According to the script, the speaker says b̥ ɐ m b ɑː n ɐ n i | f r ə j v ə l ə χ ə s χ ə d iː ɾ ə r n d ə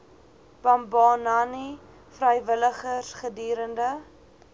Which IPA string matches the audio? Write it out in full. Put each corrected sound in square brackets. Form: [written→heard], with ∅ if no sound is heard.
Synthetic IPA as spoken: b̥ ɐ m b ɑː n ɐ n i | f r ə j v ə l ə χ ə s χ ə d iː ɾ ə [r→∅] n d ə